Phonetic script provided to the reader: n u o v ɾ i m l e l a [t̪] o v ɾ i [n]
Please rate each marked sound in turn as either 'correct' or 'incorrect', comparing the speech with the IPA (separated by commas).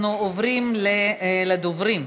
incorrect, incorrect